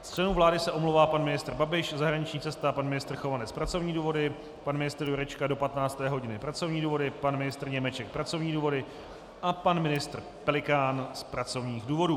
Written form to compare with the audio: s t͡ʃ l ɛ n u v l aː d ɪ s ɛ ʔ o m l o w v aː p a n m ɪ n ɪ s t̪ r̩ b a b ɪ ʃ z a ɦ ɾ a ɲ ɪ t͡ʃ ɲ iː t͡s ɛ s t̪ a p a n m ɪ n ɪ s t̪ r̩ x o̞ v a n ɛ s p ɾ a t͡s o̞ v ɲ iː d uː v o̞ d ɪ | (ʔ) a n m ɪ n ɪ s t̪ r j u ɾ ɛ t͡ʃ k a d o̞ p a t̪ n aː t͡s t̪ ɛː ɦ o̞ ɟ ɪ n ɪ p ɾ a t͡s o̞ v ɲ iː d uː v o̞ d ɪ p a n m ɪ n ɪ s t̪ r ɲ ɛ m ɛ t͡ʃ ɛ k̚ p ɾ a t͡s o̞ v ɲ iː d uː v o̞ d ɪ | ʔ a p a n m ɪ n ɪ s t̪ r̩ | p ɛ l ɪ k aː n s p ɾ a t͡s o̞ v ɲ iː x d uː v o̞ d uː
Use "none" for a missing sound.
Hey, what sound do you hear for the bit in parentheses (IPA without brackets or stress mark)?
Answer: p